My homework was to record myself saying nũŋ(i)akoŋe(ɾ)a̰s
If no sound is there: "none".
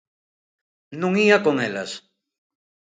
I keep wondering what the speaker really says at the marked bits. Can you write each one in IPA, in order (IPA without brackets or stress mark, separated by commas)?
i, l